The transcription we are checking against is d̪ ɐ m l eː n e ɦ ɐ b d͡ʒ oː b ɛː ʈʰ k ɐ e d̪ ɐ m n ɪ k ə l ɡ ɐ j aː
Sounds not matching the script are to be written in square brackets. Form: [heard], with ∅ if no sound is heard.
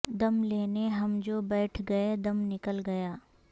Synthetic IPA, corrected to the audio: d̪ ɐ m l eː n e ɦ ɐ [m] d͡ʒ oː b ɛː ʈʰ [ɡ] ɐ e d̪ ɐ m n ɪ k ə l ɡ ɐ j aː

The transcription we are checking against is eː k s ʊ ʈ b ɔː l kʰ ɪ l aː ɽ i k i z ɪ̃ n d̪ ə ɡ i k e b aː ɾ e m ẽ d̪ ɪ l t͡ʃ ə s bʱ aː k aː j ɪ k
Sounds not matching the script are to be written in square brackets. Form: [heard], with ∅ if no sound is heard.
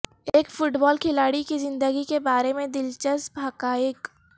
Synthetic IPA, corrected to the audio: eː k [f] ʊ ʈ b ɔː l kʰ ɪ l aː ɽ i k i z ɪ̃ n d̪ ə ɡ i k e b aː ɾ e m ẽ d̪ ɪ l t͡ʃ ə s bʱ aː k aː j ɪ k

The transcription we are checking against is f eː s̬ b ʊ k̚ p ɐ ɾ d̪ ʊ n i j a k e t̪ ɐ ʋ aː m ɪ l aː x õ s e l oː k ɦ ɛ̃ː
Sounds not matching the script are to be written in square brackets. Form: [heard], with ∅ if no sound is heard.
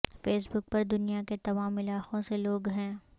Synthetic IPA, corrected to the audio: f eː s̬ b ʊ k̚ p ɐ ɾ d̪ ʊ n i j a k e t̪ ɐ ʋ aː m ɪ l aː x õ s e l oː [ɡ] ɦ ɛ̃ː

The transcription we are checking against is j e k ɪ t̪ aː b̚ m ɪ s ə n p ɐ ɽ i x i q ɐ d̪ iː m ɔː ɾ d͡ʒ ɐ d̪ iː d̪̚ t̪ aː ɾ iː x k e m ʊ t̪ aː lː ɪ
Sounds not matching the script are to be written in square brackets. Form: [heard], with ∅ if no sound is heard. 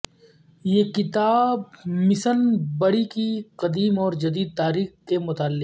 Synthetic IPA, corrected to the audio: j e k ɪ t̪ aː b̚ m ɪ s ə n [b] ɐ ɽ i [k] i q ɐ d̪ iː m ɔː ɾ d͡ʒ ɐ d̪ iː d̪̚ t̪ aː ɾ iː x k e m ʊ t̪ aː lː ɪ

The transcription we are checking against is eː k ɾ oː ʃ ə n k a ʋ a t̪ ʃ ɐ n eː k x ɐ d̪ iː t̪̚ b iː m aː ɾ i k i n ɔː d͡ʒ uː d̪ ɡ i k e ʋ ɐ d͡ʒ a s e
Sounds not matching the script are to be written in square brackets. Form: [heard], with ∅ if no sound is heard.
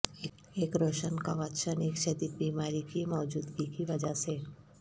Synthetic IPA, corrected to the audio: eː k ɾ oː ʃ ə n k a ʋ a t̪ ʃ [ə] n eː k [ʃ] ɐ d̪ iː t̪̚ b iː m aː ɾ i k i [m] ɔː d͡ʒ uː d̪ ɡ i k [i] ʋ ɐ d͡ʒ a s e

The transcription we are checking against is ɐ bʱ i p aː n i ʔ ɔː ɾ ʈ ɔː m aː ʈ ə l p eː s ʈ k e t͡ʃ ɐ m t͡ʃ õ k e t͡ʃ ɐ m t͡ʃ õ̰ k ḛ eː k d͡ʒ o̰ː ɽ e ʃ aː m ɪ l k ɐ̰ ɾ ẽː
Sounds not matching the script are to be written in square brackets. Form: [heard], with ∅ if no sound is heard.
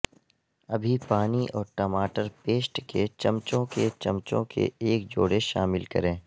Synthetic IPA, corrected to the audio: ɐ bʱ i p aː n i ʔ ɔː ɾ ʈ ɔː m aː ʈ ə [ɾ] p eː s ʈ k e t͡ʃ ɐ m t͡ʃ õ k e t͡ʃ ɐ m t͡ʃ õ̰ k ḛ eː k d͡ʒ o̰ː ɽ e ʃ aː m ɪ l k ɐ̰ ɾ ẽː

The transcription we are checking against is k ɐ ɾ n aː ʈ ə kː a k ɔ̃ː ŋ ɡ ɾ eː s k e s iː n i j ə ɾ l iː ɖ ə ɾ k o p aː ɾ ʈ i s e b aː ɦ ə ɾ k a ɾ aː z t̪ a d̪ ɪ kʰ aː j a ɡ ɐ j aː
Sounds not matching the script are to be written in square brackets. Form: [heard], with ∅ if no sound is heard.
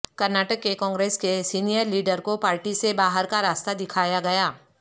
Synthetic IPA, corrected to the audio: k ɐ ɾ n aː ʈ ə kː [e] k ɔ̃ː ŋ ɡ ɾ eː s k e s iː n i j ə ɾ l iː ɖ ə ɾ k o p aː ɾ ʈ i s e b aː ɦ ə ɾ k a ɾ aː [s] t̪ a d̪ ɪ kʰ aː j a ɡ ɐ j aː

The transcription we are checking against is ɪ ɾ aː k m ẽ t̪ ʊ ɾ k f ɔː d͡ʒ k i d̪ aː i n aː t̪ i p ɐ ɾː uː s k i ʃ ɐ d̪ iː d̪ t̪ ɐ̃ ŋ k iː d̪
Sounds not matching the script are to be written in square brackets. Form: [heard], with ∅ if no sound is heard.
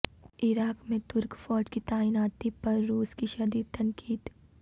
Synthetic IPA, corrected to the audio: ɪ ɾ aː k m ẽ t̪ ʊ ɾ k f ɔː d͡ʒ k i [t̪] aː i n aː t̪ i p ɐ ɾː uː s k i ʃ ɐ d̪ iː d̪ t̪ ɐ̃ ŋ k iː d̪

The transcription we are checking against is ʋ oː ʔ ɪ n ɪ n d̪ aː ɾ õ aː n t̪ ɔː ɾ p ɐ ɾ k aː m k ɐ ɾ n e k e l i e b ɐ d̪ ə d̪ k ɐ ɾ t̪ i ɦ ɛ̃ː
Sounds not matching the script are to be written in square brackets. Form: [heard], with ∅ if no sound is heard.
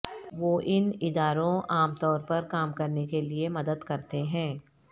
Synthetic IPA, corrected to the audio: ʋ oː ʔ ɪ n ɪ [∅] d̪ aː ɾ õ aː [m] t̪ ɔː ɾ p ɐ ɾ k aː m k ɐ ɾ n e k e l i e [m] ɐ d̪ ə d̪ k ɐ ɾ t̪ [e] ɦ ɛ̃ː

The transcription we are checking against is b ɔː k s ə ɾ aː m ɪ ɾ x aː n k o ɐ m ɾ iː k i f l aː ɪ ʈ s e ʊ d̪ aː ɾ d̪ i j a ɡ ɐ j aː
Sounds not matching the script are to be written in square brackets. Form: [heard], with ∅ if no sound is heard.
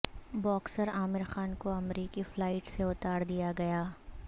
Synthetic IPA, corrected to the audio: b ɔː k s ə ɾ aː m ɪ ɾ x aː n k o ɐ m ɾ iː k i f l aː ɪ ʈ s e ʊ [t̪] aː ɾ d̪ i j a ɡ ɐ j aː

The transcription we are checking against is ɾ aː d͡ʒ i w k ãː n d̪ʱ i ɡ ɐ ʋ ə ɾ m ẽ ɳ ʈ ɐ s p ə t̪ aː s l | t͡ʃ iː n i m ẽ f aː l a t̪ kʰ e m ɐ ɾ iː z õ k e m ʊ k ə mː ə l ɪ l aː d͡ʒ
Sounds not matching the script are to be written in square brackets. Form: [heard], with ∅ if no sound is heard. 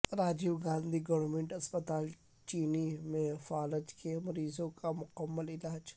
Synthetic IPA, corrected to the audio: ɾ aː d͡ʒ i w [ɡ] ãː n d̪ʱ i ɡ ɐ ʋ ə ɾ m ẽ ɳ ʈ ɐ s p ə t̪ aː [∅] l | t͡ʃ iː n i m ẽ f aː l [ə] t̪ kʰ e m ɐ ɾ iː z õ k [a] m ʊ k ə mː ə l ɪ l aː d͡ʒ

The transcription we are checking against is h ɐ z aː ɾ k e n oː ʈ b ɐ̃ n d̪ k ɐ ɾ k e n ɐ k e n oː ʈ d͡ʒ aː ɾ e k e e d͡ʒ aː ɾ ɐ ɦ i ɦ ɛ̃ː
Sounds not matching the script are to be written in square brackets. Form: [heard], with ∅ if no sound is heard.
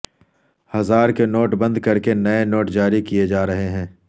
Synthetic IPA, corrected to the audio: h ɐ z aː ɾ k e n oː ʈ b ɐ̃ n d̪ k ɐ ɾ k e n ɐ [∅] e n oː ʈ d͡ʒ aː ɾ [i] k [i] e d͡ʒ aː ɾ ɐ ɦ [e] ɦ ɛ̃ː

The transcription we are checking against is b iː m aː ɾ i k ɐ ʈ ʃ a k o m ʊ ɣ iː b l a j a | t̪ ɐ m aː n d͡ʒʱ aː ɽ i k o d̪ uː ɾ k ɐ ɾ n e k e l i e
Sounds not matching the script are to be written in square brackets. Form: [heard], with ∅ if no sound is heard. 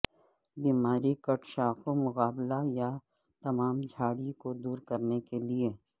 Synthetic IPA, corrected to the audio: b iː m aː ɾ i k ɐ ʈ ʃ a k o m ʊ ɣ [aː] b l a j a | t̪ ɐ m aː [m] d͡ʒʱ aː ɽ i k o d̪ uː ɾ k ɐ ɾ n e k e l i e

